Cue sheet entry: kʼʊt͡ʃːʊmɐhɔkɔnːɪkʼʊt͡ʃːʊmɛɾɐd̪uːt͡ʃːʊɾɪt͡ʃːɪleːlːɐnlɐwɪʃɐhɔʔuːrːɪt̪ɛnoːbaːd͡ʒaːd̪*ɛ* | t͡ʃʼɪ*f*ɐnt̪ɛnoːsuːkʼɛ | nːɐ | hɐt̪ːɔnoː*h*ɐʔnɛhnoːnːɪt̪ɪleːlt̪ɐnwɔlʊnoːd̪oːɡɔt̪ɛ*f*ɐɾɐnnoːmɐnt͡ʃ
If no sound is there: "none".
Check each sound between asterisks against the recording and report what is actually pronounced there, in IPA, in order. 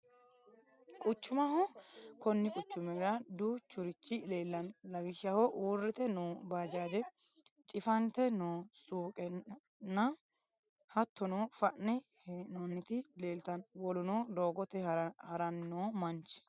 ɛ, f, f, h

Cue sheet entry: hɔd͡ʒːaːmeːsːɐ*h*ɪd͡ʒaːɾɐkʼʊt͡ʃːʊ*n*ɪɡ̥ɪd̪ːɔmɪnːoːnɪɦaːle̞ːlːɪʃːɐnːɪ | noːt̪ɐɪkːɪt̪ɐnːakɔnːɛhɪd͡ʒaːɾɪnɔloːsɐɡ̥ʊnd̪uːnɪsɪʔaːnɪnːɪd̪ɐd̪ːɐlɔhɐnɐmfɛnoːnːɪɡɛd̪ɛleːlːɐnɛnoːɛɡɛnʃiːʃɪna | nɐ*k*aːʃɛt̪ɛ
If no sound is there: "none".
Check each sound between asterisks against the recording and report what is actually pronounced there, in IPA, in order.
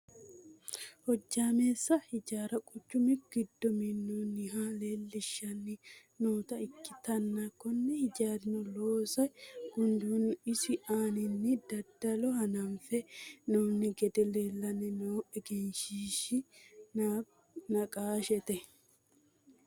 h, m, kʼ

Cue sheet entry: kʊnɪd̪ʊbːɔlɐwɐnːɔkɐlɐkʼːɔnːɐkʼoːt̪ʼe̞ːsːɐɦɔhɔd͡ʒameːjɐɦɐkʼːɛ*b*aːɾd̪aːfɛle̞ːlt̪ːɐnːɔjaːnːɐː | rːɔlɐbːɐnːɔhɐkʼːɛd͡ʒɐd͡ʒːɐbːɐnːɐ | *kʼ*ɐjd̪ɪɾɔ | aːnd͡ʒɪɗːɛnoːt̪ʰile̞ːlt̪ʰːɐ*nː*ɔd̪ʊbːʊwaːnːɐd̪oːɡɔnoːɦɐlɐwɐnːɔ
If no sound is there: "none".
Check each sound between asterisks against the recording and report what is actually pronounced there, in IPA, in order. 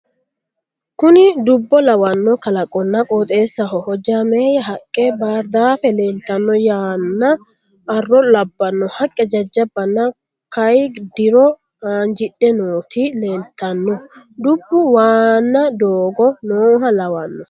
b, k, nː

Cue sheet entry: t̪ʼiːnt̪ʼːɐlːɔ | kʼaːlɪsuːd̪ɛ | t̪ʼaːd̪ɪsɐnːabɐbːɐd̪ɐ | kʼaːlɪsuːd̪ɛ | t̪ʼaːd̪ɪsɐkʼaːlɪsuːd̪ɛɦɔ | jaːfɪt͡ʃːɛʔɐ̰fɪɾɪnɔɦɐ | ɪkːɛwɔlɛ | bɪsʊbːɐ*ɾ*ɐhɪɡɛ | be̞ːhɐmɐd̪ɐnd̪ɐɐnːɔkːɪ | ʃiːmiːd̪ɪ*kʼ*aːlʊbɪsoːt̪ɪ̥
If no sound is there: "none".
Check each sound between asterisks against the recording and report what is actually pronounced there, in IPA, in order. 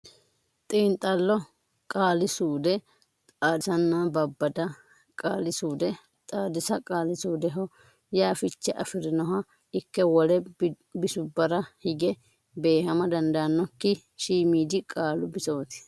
ɾ, kʼ

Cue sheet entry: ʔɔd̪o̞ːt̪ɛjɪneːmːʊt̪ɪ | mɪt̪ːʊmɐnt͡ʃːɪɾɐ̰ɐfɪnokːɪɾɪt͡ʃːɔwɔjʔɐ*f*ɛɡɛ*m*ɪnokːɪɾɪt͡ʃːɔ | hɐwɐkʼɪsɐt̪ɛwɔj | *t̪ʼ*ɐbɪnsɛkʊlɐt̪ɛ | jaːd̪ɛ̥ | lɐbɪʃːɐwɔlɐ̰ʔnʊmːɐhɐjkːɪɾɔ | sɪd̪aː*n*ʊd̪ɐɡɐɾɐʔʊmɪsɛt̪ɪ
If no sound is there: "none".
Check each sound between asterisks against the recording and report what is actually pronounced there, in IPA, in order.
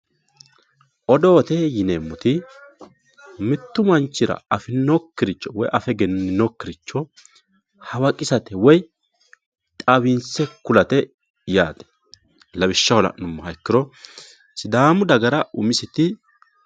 f, n, t̪ʼ, m

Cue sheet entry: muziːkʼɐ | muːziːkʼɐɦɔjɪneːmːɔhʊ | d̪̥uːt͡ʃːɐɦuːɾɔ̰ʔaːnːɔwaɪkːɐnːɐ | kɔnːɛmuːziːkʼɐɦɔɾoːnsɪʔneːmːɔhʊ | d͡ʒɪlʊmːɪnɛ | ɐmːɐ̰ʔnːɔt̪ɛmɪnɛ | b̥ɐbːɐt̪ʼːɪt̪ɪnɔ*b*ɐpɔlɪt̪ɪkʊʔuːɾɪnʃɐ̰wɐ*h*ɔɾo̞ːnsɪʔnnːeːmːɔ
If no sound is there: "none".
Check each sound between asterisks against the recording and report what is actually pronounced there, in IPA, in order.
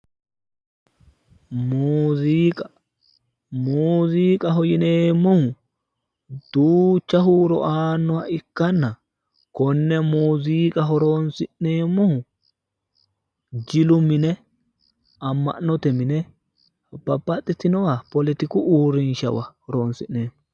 w, h

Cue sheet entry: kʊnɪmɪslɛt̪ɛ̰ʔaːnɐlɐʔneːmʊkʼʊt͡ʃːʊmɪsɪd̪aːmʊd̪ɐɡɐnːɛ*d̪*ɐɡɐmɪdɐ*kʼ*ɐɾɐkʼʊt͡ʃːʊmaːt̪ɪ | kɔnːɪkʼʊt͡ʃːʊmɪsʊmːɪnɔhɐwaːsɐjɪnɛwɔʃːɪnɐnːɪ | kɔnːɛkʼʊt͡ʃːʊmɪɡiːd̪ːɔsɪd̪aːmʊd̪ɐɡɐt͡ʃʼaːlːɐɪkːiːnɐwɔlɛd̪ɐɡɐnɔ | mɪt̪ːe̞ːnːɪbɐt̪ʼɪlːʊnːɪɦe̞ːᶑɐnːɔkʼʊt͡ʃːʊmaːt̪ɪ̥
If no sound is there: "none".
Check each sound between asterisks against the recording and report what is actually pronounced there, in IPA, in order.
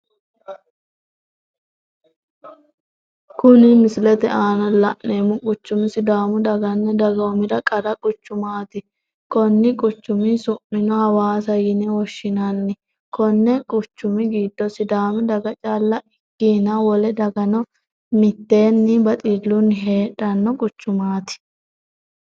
d̪, kʼ

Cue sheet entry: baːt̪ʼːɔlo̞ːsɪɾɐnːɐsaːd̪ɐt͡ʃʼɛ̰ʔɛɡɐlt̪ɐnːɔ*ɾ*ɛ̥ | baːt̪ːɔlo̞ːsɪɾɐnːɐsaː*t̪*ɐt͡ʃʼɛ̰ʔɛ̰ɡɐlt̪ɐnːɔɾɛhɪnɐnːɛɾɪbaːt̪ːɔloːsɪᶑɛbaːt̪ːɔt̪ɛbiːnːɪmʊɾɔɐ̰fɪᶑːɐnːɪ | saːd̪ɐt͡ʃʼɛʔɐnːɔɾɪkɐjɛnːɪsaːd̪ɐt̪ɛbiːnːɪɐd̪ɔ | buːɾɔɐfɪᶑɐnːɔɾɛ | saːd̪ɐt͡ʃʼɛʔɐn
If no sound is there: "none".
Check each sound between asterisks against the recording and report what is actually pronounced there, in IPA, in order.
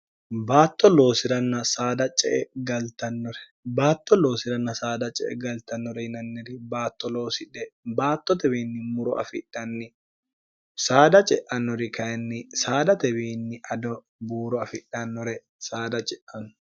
ɾ, d̪

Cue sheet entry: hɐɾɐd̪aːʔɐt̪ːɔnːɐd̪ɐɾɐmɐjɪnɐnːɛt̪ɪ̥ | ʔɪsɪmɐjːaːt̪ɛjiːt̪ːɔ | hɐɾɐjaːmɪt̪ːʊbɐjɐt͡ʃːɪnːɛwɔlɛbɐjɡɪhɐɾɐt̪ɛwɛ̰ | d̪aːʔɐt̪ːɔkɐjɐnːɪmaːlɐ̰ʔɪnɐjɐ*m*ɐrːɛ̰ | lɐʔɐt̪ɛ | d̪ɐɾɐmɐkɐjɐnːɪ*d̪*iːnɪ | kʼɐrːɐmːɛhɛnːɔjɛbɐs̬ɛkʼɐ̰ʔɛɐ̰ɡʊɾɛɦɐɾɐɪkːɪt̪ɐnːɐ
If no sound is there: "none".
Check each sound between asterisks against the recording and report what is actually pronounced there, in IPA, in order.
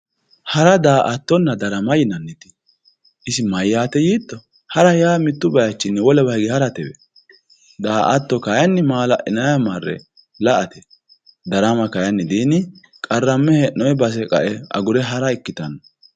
m, d̪

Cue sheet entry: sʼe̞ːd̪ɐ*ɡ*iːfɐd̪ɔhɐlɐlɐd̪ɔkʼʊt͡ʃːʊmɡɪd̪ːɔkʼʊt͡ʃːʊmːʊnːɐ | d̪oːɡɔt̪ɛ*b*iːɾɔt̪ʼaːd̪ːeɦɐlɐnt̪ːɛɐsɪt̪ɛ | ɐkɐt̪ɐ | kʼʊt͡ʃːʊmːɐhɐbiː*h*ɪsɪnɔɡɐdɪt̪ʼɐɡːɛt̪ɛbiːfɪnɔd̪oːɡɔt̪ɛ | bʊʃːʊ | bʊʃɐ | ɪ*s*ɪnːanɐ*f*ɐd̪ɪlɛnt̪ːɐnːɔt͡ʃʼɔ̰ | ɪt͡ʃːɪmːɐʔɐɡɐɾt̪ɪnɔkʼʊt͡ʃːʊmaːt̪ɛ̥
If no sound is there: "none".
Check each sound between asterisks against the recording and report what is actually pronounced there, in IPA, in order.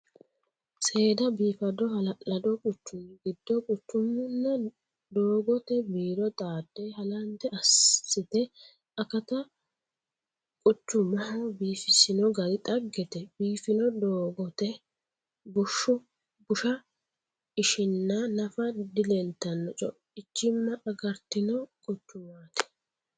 b, b, f, ʃ, f

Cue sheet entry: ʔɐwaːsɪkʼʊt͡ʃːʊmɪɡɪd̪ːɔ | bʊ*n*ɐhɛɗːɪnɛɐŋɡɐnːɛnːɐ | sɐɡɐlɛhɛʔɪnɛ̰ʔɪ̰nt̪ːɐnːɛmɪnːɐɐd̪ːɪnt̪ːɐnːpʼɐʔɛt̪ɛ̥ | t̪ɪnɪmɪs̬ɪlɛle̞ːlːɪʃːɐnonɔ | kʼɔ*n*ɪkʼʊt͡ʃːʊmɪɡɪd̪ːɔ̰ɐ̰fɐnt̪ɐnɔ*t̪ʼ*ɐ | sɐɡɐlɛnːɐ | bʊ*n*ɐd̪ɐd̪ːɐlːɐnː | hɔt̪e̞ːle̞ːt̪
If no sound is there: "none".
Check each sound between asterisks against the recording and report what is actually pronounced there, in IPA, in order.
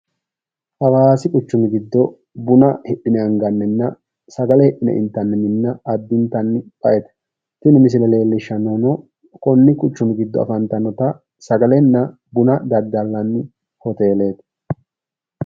n, nː, t̪, n

